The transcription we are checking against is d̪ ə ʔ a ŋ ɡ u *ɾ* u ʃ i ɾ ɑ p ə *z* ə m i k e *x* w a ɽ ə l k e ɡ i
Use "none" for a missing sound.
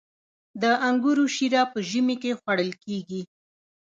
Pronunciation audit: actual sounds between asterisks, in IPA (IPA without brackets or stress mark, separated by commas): ɾ, ʒ, x